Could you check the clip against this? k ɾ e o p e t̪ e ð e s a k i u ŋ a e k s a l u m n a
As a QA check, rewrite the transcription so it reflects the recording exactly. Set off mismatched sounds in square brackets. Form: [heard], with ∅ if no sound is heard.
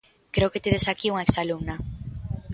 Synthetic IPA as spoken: k ɾ e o [k] e t̪ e ð e s a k i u ŋ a e k s a l u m n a